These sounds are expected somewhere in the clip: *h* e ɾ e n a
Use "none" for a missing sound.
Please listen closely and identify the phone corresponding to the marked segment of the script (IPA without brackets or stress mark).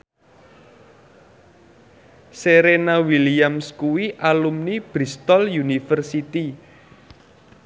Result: s